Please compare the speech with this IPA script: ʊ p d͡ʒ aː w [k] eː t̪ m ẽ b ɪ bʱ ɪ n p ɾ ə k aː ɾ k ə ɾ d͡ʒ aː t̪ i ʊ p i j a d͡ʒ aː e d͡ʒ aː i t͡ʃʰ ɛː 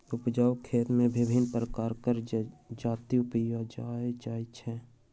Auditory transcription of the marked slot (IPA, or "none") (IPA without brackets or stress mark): kʰ